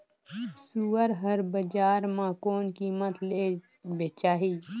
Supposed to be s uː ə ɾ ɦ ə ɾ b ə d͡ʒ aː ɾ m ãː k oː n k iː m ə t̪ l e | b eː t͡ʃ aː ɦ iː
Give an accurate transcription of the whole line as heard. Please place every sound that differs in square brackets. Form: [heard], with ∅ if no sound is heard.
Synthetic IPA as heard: s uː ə ɾ ɦ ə ɾ b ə d͡ʒ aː ɾ m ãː k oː n k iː m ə t̪ l e | b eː t͡ʃ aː ɦ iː